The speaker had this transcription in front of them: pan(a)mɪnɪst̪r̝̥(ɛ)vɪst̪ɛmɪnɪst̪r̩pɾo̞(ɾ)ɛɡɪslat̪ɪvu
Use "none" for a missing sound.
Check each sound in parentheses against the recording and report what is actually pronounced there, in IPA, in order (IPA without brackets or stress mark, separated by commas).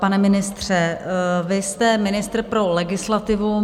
ɛ, ɛ, l